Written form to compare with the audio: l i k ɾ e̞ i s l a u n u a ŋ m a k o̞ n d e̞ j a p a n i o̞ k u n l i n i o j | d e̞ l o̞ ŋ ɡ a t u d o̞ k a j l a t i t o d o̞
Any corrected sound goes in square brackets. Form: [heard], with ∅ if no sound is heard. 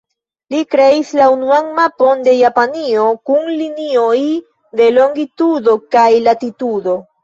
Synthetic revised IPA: l i k ɾ e̞ i s l a u n u a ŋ m a [p] o̞ n d e̞ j a p a n i o̞ k u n l i n i o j | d e̞ l o̞ ŋ ɡ [i] t u d o̞ k a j l a t i t [u] d o̞